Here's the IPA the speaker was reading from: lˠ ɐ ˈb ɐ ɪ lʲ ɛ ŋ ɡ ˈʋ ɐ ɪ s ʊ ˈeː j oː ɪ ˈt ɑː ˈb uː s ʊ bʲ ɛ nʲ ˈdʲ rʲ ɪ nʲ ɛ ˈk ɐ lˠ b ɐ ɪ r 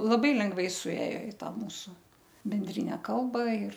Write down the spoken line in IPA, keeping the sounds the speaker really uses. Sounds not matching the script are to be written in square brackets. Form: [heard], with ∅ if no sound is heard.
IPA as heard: lˠ ɐ ˈb ɐ ɪ lʲ ɛ ŋ ɡ ˈʋ ɐ ɪ s ʊ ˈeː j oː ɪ ˈt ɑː [ˈm] uː s ʊ bʲ ɛ nʲ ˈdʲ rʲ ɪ nʲ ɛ ˈk ɐ lˠ b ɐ ɪ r